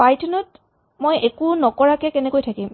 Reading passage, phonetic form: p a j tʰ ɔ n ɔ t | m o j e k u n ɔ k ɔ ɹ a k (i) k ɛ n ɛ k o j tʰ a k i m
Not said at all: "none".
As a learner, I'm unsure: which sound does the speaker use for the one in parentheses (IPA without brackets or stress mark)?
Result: ɛ